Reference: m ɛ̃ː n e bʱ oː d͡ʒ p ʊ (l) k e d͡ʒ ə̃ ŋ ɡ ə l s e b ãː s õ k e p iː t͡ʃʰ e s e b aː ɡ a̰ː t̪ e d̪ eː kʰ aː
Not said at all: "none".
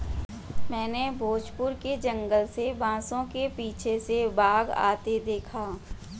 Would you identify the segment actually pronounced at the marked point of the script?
ɾ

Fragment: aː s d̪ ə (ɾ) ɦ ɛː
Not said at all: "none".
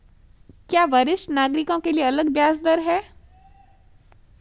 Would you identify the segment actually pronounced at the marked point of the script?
ɾ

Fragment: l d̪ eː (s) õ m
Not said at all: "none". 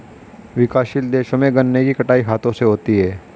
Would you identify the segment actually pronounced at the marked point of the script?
ʃ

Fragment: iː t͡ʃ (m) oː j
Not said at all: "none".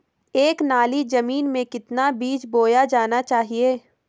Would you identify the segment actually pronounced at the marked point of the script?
b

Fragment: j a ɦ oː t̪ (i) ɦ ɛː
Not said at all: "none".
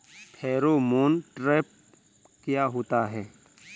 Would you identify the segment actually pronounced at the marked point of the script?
a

